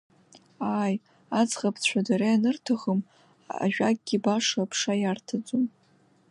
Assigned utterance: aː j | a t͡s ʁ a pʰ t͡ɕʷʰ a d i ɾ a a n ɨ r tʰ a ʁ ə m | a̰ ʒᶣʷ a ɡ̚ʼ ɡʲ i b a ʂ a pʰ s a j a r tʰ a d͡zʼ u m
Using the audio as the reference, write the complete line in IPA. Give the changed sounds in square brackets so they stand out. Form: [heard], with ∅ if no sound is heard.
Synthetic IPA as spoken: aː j | a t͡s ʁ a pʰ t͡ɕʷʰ a d [a] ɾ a a n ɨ r tʰ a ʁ ə m | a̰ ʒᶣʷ a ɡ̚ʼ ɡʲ i b a ʂ a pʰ [ʂ] a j a r tʰ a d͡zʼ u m